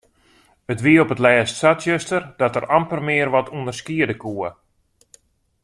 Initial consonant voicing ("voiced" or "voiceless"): voiceless